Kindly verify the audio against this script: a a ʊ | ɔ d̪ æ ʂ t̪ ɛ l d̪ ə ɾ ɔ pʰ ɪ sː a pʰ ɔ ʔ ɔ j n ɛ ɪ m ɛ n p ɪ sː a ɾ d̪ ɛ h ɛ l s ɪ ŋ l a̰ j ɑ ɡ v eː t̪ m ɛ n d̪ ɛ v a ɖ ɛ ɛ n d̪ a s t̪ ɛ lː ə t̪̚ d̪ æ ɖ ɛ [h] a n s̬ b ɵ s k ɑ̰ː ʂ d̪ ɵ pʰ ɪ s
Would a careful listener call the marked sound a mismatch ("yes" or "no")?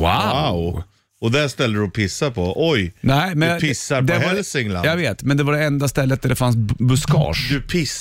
yes